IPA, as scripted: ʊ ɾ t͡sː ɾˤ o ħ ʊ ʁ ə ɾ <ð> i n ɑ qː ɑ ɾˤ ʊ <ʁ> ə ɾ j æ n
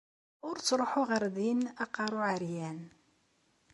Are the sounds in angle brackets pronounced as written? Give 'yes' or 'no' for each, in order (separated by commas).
yes, no